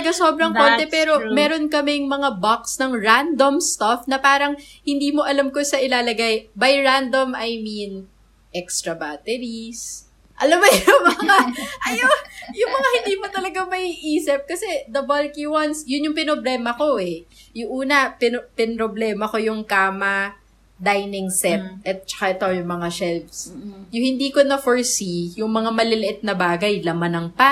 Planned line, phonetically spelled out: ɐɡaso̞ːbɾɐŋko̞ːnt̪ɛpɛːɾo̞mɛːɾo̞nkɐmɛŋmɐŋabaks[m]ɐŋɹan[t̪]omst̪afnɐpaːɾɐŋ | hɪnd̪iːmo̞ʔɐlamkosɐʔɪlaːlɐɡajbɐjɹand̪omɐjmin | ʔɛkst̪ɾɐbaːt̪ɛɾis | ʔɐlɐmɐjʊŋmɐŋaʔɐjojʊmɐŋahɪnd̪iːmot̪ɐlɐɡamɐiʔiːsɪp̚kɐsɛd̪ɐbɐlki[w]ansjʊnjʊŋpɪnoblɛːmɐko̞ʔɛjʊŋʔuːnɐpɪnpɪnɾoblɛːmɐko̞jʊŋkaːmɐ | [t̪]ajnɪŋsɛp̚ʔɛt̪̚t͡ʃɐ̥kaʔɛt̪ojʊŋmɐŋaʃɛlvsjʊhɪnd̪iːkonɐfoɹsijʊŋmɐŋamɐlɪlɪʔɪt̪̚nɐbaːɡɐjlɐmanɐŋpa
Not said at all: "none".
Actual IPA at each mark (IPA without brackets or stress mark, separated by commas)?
n, d̪, w, d̪